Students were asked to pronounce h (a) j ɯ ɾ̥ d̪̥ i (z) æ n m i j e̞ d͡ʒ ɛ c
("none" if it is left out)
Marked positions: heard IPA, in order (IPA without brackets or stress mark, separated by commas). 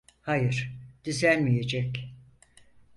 a, z